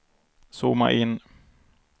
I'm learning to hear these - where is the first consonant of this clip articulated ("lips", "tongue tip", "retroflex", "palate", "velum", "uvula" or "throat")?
tongue tip